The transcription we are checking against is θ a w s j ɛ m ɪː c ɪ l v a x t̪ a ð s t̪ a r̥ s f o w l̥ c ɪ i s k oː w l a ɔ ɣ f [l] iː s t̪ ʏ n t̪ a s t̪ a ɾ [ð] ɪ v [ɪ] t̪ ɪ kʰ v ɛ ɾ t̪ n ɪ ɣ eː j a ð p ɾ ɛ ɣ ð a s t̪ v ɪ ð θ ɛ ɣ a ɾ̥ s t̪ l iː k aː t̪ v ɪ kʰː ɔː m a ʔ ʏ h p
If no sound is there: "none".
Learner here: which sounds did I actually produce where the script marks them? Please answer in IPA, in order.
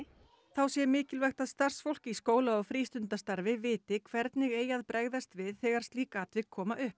ɾ, v, ɪː

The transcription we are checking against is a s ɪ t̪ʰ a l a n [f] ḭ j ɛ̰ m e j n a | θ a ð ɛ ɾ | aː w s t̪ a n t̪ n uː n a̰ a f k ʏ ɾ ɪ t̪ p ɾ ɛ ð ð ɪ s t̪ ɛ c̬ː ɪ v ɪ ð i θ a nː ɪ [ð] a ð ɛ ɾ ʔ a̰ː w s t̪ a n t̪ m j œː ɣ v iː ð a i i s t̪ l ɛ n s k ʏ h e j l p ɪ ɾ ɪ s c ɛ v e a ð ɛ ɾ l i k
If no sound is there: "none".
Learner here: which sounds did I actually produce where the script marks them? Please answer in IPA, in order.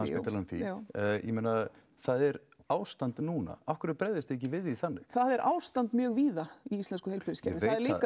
θ, θ

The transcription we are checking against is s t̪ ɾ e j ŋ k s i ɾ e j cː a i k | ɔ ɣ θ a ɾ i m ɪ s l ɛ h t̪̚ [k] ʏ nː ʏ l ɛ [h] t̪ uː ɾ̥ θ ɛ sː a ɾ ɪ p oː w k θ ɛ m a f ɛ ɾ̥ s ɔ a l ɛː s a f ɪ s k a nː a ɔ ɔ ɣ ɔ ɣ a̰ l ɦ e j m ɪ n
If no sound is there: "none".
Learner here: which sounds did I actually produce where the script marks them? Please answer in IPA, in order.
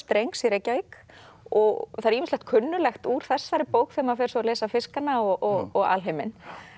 kʰ, x

